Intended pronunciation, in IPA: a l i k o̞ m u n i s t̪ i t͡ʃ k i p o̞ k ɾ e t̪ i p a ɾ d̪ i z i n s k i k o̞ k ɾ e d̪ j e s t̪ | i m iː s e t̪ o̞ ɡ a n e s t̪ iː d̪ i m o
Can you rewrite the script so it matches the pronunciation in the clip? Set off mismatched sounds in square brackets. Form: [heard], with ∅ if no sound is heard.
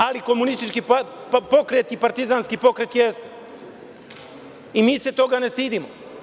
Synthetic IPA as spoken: a l i k o̞ m u n i s t̪ i t͡ʃ k i p o̞ k ɾ e t̪ i p a ɾ [t̪] i z [a] n s k i [p] o̞ k ɾ e [t̪] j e s t̪ | i m iː s e t̪ o̞ ɡ a n e s t̪ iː d̪ i m o